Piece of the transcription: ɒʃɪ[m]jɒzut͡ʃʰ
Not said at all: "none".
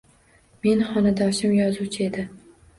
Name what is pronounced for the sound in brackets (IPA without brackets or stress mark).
m